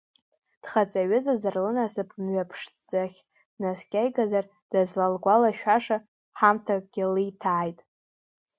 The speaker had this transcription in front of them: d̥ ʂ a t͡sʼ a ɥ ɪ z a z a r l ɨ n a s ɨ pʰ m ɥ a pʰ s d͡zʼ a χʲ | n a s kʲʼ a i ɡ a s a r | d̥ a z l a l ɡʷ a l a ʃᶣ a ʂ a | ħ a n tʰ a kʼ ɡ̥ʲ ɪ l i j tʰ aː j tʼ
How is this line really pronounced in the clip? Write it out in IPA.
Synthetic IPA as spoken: d̥ χ a t͡sʼ a ɥ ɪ z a z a r l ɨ n a s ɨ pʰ m ɥ a pʰ ʂ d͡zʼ a χʲ | n a s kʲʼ a j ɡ a z a r | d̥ a z l a l ɡʷ a l a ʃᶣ a ʂ a | ħ a m tʰ a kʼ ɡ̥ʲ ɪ l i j tʰ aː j tʼ